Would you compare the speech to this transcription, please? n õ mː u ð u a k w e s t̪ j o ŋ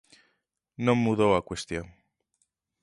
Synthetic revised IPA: n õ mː u ð o a k w e s t̪ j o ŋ